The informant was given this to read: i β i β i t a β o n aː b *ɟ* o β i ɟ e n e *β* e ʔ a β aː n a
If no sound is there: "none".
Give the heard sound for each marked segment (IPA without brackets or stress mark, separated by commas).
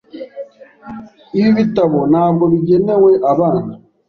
ɡ, w